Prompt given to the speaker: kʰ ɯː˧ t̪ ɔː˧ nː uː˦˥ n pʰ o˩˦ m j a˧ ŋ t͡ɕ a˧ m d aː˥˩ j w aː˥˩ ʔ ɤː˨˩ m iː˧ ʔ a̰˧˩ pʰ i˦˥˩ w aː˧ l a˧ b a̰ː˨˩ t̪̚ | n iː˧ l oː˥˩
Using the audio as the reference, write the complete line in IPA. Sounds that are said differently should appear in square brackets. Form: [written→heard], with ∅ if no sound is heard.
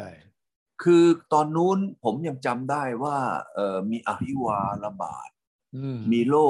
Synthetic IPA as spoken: kʰ ɯː˧ t̪ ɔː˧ nː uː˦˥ n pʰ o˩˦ m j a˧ ŋ t͡ɕ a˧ m d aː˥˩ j w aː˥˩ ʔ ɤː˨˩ m iː˧ ʔ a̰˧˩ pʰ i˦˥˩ w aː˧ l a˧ b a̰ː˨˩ t̪̚ | [n→m] iː˧ l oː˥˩